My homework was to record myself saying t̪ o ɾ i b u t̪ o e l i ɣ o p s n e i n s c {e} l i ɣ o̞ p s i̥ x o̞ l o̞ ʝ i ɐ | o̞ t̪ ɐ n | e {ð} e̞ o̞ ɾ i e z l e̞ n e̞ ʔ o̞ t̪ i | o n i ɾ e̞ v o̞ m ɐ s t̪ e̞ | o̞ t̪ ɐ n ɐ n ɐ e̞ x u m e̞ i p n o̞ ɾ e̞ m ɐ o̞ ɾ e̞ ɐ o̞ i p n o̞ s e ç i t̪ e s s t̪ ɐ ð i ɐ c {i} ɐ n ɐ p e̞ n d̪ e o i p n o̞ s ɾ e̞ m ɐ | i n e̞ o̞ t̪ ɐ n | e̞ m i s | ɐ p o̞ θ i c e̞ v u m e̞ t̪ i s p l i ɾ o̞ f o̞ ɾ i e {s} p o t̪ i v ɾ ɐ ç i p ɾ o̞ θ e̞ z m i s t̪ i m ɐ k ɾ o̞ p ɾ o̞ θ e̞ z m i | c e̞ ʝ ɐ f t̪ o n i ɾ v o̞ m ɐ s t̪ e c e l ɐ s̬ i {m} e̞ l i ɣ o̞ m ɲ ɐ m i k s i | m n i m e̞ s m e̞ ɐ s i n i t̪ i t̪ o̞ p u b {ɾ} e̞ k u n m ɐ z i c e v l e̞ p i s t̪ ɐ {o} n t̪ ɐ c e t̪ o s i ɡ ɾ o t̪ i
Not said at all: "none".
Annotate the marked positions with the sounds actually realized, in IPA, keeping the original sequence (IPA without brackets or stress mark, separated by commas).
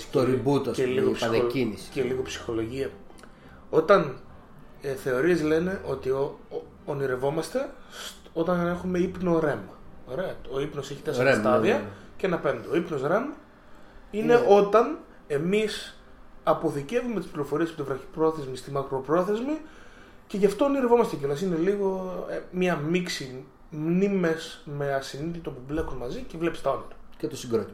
e, θ, e, s, n, l, o